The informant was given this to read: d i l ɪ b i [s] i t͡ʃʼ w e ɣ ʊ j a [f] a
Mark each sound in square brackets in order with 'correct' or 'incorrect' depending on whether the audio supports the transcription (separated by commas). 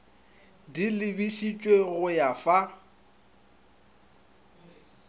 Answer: incorrect, correct